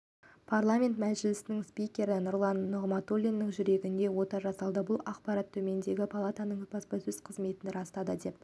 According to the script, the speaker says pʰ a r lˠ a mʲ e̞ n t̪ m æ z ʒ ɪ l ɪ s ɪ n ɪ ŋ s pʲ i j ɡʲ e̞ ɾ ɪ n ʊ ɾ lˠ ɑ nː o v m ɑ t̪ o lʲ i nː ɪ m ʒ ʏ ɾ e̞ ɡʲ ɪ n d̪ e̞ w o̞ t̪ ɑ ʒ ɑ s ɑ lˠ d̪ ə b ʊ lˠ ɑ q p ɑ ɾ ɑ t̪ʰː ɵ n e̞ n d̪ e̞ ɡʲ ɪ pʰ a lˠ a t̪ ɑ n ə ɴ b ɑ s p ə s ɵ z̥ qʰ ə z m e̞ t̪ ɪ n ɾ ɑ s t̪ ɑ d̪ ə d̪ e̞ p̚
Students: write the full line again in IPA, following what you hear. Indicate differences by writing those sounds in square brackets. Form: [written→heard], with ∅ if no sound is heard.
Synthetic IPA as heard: pʰ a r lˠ a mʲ e̞ n t̪ m æ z ʒ ɪ l ɪ s ɪ n ɪ ŋ s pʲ i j [ɡʲ→kʲ] e̞ ɾ ɪ n ʊ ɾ lˠ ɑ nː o [v→ʁ] m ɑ t̪ o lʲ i nː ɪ [m→ŋ] ʒ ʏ ɾ e̞ ɡʲ ɪ n d̪ e̞ w o̞ t̪ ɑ ʒ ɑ s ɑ lˠ d̪ ə b ʊ lˠ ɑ q p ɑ ɾ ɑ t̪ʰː ɵ [n→m] e̞ n d̪ e̞ ɡʲ ɪ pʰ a lˠ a t̪ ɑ n ə ɴ b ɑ s p [ə→ɑ] s ɵ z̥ qʰ ə z m e̞ t̪ ɪ n ɾ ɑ s t̪ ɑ d̪ ə d̪ e̞ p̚